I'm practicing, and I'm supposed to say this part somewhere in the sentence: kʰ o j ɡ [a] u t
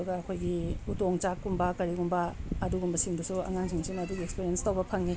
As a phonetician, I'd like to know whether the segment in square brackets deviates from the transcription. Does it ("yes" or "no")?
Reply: yes